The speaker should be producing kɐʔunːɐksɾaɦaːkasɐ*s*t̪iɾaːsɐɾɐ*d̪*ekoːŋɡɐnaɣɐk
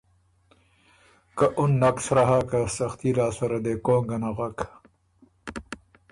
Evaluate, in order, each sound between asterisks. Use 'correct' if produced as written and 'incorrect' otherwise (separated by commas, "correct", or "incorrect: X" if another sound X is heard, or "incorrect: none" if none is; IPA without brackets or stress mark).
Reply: incorrect: x, correct